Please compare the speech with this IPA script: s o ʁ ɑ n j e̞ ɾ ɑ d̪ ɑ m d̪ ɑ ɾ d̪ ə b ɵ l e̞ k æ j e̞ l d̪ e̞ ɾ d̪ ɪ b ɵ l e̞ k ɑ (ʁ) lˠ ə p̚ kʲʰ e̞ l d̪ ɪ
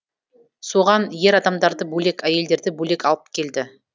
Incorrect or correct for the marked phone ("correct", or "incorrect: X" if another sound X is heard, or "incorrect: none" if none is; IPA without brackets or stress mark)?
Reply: incorrect: none